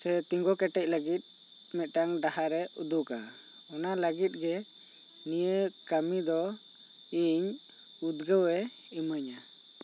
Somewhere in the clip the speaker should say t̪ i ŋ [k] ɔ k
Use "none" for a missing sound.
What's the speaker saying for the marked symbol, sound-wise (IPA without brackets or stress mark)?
ɡ